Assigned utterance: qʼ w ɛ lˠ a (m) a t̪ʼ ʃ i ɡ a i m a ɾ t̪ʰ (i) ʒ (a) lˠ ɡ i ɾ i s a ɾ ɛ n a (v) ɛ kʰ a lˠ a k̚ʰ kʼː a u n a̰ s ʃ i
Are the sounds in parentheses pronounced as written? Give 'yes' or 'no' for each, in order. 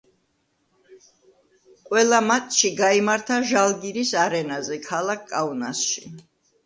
yes, no, yes, no

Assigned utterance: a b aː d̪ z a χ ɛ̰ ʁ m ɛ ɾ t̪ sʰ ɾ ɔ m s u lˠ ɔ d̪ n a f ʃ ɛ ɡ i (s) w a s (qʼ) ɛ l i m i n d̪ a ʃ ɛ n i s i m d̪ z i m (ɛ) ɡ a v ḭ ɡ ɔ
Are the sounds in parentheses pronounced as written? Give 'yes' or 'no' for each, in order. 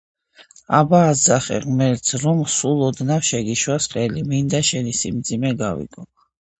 no, yes, yes

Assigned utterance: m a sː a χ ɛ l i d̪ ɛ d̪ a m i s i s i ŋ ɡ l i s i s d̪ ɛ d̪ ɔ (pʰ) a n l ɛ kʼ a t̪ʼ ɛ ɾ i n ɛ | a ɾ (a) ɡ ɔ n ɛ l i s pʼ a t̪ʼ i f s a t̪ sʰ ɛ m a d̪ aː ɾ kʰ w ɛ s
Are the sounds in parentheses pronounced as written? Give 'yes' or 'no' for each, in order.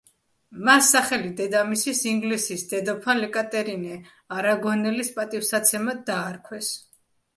yes, yes

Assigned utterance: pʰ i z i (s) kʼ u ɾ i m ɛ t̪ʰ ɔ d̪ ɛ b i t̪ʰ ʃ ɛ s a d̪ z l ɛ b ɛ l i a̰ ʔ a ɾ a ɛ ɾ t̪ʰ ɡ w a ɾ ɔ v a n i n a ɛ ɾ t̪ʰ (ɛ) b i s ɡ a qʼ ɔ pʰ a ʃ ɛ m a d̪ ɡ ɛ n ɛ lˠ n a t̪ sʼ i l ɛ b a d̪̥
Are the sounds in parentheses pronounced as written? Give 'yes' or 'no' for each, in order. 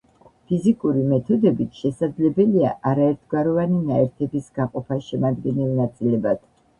no, yes

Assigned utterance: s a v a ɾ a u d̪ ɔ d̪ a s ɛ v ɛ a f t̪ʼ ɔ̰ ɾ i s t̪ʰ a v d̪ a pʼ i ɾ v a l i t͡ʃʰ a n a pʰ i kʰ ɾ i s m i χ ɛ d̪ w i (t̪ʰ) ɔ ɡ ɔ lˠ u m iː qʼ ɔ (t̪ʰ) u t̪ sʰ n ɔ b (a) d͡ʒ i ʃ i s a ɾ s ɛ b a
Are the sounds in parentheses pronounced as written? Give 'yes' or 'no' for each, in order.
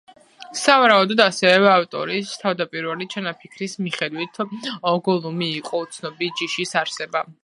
yes, no, no

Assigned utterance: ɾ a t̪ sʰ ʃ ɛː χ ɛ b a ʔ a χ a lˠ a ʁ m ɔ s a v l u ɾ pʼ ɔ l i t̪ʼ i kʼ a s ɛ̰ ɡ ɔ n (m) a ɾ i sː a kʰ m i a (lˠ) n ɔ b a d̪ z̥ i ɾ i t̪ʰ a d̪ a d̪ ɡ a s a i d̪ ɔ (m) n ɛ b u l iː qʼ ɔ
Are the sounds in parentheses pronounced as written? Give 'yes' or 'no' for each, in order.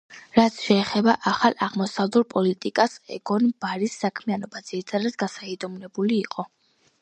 no, no, yes

